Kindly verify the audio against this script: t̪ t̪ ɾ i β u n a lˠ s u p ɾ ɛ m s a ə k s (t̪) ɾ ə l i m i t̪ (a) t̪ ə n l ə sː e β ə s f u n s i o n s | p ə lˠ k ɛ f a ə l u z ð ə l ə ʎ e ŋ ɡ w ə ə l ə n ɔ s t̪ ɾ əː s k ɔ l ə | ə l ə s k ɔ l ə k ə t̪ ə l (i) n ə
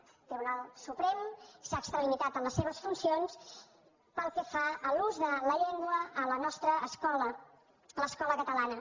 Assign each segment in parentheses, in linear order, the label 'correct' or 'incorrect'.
correct, correct, incorrect

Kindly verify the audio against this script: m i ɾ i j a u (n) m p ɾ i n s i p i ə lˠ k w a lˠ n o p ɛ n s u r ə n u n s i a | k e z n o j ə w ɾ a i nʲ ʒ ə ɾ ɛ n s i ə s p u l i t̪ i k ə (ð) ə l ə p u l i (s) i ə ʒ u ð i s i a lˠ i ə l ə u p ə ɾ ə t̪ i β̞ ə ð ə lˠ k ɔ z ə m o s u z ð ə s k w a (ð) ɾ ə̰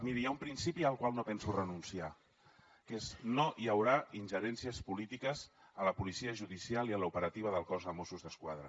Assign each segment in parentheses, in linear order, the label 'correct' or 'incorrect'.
incorrect, incorrect, correct, correct

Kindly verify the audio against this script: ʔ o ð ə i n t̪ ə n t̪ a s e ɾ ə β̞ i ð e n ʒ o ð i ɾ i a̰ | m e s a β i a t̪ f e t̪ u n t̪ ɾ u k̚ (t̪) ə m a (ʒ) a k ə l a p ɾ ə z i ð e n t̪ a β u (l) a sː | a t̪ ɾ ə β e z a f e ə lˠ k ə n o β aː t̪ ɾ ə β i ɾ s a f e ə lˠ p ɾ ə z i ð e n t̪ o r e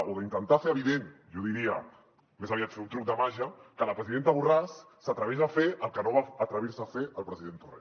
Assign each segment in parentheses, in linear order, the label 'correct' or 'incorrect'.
incorrect, correct, incorrect

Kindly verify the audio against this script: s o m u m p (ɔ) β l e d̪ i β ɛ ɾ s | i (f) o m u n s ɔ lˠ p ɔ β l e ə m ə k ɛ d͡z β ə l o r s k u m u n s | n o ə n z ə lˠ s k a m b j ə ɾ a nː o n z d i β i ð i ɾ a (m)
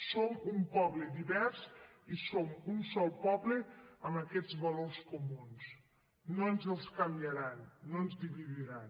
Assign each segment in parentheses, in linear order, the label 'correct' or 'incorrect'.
correct, incorrect, incorrect

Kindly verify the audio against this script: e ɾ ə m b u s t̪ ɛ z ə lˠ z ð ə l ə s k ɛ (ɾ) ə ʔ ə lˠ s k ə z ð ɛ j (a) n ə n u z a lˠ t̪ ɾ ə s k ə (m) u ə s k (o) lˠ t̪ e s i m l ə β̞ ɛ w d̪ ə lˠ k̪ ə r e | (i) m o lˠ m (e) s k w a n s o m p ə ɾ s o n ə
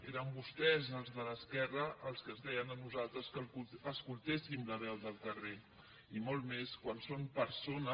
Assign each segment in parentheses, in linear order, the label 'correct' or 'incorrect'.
incorrect, incorrect, incorrect, incorrect, correct, correct

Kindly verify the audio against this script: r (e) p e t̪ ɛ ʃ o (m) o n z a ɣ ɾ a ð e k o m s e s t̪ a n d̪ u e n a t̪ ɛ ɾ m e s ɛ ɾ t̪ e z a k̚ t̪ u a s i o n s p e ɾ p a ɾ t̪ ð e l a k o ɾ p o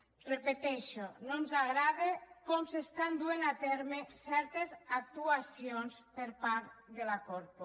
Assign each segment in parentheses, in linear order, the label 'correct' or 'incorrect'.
correct, incorrect

